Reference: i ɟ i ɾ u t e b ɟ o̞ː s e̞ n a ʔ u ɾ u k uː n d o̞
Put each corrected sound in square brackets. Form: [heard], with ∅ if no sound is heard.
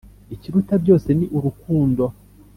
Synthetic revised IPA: i [c] i ɾ u t [a] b ɟ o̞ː s e̞ n [i] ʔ u ɾ u k uː n d o̞